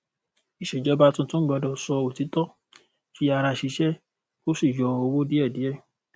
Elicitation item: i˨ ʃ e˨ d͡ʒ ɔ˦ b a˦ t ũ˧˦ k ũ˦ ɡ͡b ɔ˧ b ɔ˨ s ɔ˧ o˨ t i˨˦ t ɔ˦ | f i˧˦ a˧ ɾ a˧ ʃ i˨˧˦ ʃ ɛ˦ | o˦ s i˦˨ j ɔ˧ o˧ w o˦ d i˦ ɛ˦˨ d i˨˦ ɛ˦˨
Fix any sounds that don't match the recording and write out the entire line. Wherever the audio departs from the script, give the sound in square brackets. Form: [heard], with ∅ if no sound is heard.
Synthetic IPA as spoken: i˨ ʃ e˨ d͡ʒ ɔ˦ b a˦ t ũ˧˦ [t] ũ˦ ɡ͡b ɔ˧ [d] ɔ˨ s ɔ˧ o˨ t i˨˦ t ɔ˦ | f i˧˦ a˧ ɾ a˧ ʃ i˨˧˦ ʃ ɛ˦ | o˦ s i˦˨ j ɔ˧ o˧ w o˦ d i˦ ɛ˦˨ d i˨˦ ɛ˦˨